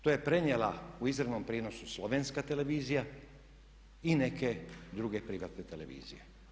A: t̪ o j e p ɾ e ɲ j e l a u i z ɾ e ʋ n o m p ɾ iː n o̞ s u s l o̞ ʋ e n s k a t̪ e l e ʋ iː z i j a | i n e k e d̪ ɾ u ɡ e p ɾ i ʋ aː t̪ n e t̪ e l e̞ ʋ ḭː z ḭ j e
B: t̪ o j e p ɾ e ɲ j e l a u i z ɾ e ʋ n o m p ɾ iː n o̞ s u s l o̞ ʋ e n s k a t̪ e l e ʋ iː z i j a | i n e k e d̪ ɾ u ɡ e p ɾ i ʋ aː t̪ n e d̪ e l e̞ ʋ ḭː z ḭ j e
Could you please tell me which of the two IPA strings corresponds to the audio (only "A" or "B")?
A